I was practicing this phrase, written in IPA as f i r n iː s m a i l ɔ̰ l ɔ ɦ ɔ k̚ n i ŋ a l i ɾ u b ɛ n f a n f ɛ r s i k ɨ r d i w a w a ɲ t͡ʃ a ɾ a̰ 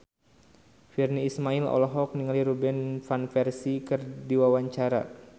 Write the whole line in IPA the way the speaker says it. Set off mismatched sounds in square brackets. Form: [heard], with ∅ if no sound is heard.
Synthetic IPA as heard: f i r n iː s m a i l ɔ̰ l ɔ ɦ ɔ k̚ n i ŋ a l i ɾ u b ɛ n f a n f ɛ r s i k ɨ r d i w a w a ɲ t͡ʃ a ɾ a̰